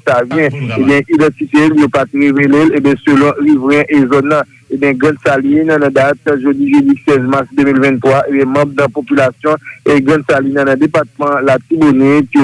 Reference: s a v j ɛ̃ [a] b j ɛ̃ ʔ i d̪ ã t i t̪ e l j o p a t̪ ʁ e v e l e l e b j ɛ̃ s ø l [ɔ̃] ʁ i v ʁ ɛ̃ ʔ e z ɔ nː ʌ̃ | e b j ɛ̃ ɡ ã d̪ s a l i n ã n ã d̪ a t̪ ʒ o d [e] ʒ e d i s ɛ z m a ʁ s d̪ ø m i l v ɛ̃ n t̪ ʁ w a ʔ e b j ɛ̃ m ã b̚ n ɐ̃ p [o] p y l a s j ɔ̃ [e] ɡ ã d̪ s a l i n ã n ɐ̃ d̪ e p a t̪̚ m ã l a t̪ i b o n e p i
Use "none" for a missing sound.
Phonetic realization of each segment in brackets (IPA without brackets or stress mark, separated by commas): e, ɔ̃, i, o, e